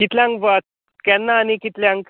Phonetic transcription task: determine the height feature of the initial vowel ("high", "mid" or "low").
high